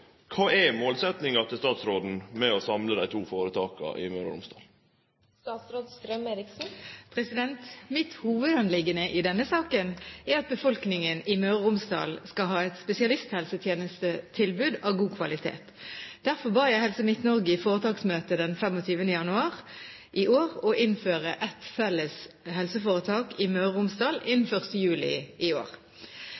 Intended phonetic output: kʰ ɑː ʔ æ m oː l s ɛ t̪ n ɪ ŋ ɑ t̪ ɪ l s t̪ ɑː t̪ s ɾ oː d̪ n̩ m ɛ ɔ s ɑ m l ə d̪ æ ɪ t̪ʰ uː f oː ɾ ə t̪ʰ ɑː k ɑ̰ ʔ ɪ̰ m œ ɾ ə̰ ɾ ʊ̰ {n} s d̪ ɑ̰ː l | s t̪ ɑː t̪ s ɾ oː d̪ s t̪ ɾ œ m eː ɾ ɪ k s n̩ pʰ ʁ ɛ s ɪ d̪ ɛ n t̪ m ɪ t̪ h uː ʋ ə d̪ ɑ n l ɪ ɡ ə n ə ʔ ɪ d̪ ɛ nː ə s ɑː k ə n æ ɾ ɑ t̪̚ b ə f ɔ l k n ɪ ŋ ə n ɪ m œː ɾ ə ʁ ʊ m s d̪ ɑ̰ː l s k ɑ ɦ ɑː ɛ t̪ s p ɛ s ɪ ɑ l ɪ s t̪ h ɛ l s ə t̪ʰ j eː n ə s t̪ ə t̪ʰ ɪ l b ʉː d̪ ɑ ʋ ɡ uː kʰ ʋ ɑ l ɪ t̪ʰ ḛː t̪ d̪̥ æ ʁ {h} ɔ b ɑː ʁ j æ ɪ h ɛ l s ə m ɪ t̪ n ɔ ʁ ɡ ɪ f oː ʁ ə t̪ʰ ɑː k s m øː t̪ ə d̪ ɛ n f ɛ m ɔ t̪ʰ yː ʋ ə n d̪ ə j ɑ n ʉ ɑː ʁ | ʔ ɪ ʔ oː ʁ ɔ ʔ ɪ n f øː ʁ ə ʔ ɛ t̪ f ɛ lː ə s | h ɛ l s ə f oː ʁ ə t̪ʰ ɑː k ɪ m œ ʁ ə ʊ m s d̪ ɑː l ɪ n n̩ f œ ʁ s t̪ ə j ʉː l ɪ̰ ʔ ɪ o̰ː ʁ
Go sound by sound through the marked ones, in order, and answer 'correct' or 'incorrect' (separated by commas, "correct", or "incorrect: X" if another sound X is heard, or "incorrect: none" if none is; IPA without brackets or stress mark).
incorrect: m, incorrect: f